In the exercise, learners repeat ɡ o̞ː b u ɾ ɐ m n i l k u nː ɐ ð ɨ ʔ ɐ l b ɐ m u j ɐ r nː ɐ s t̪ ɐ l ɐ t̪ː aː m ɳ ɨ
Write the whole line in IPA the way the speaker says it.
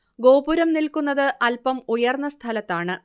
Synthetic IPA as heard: ɡ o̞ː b u ɾ ɐ m n i l k u nː ɐ ð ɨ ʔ ɐ l p ɐ m u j ɐ r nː ɐ s t̪ʰ ɐ l ɐ t̪ː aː ɳ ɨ